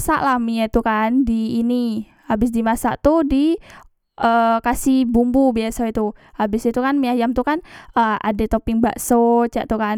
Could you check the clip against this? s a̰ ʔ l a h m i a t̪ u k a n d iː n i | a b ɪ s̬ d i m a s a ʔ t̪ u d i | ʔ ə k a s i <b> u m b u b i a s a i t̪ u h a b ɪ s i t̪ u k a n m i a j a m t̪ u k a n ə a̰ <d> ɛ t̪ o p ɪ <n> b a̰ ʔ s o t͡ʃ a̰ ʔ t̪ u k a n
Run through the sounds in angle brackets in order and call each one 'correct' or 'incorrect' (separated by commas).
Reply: correct, correct, incorrect